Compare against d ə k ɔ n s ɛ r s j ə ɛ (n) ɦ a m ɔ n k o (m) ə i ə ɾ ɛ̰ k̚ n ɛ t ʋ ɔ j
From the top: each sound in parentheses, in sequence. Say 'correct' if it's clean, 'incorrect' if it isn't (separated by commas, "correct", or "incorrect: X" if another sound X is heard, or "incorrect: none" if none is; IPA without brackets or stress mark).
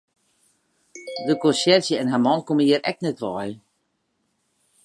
correct, correct